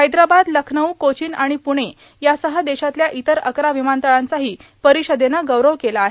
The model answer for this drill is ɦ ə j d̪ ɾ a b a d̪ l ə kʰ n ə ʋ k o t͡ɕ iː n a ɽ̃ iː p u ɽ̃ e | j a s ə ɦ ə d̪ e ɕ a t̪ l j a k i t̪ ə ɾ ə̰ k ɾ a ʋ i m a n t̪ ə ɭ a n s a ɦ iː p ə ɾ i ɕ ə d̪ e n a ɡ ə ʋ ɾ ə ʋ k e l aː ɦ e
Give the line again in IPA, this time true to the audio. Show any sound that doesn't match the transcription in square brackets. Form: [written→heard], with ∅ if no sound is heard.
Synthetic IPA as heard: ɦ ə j d̪ ɾ a b a d̪ l ə kʰ n ə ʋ k o t͡ɕ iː n a ɽ̃ [iː→i] p u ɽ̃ e | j a s ə ɦ ə d̪ e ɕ a t̪ l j a [k→ʔ] i t̪ ə ɾ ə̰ k ɾ a ʋ i m a n t̪ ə ɭ a n [s→t͡s] a ɦ iː p ə ɾ i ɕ ə d̪ e n a ɡ ə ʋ ɾ ə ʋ k e l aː ɦ e